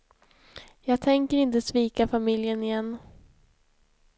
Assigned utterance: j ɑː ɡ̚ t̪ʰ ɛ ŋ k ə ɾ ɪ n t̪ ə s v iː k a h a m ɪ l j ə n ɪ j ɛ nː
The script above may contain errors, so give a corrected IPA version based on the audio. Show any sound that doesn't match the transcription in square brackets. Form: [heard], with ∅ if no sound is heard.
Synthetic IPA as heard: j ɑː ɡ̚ t̪ʰ ɛ ŋ k ə ɾ ɪ n t̪ ə s v iː k a [f] a m ɪ l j ə n ɪ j ɛ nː